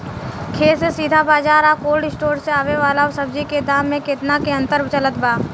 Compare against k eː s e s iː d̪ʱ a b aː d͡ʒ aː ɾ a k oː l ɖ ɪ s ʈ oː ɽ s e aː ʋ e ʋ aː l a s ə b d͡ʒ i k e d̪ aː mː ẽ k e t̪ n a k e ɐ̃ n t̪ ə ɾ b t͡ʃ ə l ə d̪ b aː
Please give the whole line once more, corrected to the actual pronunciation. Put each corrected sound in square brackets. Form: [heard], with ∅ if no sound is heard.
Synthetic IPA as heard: [kʰ] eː s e s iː d̪ʱ a b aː d͡ʒ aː ɾ a k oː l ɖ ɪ s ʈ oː [ɾ] s e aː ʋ e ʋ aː l a s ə b d͡ʒ i k e d̪ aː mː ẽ k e t̪ n a k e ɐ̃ n t̪ ə ɾ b t͡ʃ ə l ə [t̪] b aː